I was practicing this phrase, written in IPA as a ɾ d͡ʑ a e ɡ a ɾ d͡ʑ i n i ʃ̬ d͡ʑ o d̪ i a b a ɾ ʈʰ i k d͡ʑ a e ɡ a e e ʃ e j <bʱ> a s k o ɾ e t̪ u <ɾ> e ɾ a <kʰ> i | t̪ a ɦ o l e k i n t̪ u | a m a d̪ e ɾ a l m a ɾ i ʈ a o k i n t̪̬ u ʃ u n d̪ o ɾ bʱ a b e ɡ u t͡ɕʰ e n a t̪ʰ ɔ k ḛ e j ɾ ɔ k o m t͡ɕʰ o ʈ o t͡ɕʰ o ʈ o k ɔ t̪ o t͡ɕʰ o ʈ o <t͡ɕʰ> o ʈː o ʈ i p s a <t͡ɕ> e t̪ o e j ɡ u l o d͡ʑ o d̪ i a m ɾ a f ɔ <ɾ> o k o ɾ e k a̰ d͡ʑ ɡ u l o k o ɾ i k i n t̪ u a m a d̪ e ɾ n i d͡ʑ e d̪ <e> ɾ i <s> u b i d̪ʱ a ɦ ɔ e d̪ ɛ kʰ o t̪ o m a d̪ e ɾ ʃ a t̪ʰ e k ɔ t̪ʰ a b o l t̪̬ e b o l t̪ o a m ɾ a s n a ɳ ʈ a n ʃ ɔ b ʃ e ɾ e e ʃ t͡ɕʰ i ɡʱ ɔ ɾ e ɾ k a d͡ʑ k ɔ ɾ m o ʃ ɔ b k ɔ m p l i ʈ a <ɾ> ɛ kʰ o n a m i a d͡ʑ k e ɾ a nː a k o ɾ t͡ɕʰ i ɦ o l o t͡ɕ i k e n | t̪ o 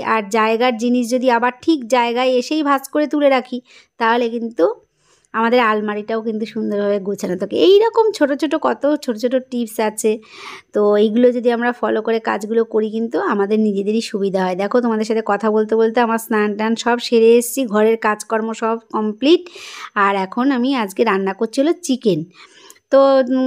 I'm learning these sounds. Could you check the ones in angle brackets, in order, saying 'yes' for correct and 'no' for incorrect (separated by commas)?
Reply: yes, no, yes, yes, no, no, yes, no, yes